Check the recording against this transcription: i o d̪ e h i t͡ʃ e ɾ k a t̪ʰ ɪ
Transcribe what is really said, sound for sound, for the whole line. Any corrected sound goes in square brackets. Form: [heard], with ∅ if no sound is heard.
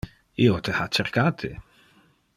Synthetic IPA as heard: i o [t̪] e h [a] t͡ʃ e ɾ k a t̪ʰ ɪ